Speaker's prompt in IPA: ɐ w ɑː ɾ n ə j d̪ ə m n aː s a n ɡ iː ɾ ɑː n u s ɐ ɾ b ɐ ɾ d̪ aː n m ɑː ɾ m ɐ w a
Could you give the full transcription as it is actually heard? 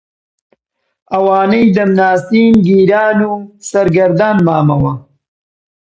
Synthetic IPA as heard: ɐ w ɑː n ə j d̪ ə m n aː s i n ɡ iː ɾ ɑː n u s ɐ ɾ ɡ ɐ ɾ d̪ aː n m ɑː m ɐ w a